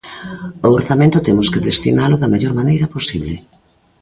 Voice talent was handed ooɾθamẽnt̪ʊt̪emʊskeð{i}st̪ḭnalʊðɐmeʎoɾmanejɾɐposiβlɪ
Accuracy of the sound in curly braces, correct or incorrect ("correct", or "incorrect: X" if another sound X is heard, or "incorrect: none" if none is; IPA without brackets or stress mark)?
incorrect: e